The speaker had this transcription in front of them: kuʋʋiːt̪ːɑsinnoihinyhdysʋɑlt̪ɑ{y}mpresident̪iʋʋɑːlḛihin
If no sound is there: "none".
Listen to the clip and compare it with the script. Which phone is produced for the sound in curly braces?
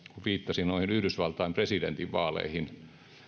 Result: i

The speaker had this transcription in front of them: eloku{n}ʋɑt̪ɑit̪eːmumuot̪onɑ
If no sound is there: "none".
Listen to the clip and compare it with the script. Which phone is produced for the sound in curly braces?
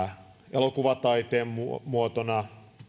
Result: none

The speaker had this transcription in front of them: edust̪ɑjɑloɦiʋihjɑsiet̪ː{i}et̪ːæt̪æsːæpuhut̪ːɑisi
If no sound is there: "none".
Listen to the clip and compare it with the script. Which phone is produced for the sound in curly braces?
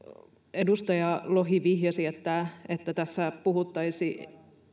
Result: æ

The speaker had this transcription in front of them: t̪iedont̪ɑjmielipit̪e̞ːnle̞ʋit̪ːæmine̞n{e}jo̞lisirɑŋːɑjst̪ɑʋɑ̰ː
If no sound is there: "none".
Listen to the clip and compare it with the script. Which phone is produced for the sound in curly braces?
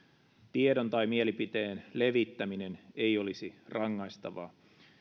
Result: e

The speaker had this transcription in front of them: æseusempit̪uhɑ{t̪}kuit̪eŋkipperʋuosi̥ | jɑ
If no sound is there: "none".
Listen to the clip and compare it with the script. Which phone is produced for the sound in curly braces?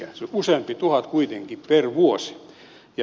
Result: t̪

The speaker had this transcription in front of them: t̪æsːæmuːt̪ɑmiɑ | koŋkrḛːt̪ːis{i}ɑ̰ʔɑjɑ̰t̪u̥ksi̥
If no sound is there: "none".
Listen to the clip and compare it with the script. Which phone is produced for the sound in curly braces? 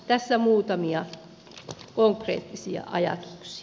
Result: i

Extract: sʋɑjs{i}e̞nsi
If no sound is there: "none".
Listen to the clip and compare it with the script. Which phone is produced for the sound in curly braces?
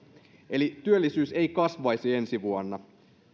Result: i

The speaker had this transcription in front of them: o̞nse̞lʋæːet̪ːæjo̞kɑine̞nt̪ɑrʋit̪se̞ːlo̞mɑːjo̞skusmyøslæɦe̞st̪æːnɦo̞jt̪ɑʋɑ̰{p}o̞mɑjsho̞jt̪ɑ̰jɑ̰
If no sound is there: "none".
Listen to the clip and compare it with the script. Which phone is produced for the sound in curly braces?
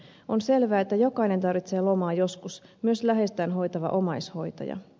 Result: ʔ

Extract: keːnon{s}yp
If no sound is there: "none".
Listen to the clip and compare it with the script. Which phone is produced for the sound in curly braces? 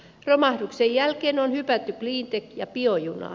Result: h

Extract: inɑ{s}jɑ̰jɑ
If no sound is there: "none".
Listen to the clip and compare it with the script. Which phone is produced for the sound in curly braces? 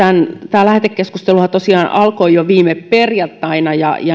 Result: none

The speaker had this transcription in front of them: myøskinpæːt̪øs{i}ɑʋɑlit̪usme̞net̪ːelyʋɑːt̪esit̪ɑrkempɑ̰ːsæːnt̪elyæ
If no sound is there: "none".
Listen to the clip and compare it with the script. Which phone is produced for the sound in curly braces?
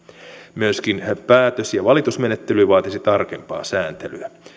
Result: j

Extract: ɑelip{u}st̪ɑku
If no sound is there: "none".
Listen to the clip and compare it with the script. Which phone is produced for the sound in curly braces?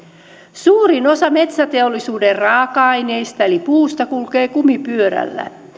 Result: uː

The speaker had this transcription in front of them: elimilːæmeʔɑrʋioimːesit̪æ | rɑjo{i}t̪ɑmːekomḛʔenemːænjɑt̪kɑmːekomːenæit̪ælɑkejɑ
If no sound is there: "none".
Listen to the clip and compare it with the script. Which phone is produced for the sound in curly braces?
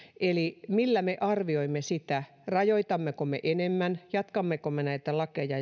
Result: i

